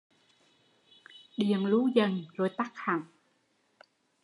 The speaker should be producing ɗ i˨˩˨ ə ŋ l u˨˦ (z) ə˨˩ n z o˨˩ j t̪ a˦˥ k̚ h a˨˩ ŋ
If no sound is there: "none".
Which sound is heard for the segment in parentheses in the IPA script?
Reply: z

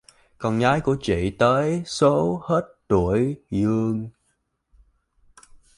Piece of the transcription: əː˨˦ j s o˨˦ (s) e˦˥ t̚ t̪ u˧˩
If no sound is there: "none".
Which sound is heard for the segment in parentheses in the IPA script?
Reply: h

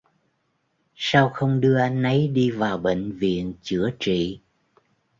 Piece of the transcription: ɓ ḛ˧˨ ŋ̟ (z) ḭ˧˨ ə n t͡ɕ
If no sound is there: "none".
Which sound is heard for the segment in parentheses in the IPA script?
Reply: v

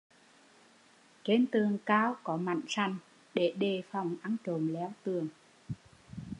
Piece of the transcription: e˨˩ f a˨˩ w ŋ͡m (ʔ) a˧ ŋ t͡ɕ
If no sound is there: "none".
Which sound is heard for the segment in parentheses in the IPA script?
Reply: ʔ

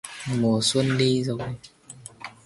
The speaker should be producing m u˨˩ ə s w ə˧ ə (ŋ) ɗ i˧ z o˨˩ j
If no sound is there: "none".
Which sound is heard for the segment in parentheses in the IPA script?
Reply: n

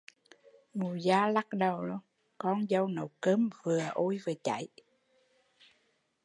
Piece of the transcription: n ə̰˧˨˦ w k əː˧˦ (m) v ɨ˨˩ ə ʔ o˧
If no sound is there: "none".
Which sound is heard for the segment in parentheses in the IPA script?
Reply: m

